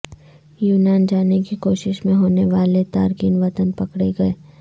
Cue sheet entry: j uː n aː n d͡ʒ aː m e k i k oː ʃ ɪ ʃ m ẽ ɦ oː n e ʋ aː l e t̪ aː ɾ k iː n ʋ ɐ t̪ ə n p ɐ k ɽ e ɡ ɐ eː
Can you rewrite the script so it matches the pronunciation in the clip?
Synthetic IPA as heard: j uː n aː n d͡ʒ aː n e k i k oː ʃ ɪ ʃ m ẽ ɦ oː n e ʋ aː l e t̪ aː ɾ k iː n ʋ ɐ t̪ ə n p ɐ k ɽ e ɡ ɐ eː